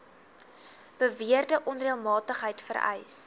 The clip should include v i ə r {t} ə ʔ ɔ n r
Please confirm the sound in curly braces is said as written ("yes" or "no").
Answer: no